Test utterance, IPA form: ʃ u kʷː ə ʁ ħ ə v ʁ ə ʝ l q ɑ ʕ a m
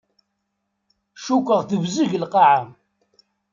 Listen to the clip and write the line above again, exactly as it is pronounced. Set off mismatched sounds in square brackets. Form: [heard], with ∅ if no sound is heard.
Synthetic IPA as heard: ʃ u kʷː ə ʁ [θ] ə v [z] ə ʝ l q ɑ ʕ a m